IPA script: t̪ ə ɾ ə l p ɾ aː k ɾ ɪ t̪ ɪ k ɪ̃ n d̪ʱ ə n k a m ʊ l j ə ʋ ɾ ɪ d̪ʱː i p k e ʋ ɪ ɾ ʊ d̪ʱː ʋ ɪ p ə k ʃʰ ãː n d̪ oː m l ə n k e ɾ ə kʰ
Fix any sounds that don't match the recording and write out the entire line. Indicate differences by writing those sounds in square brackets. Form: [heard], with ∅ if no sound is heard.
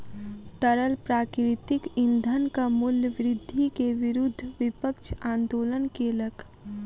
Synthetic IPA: t̪ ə ɾ ə l p ɾ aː k ɾ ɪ t̪ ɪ k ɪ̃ n d̪ʱ ə n k a m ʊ l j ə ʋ ɾ ɪ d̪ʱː i [∅] k e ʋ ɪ ɾ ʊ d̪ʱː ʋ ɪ p ə k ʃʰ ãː n d̪ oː [∅] l ə n k e [l] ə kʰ